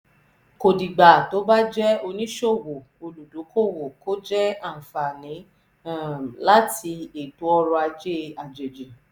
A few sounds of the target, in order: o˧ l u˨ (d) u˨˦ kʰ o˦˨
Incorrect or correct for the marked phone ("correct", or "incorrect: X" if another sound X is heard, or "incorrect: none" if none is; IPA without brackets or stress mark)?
correct